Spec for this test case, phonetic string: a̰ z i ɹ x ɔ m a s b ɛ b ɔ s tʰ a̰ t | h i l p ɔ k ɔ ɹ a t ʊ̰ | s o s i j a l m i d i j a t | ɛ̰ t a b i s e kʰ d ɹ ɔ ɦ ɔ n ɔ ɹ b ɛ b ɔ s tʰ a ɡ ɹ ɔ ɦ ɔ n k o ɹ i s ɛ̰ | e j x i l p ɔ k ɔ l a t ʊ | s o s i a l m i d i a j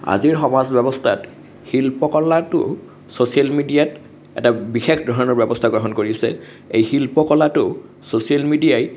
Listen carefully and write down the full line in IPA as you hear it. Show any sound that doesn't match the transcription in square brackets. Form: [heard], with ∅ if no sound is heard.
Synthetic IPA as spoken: a̰ z i ɹ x ɔ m a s b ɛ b ɔ s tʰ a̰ t | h i l p ɔ k ɔ [l] a t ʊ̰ | s o s i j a l m i d i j a t | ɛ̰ t a b i [x] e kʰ d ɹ ɔ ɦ ɔ n ɔ ɹ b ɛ b ɔ s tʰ a ɡ ɹ ɔ ɦ ɔ n k o ɹ i s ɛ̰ | e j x i l p ɔ k ɔ l a t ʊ | s o s i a l m i d i a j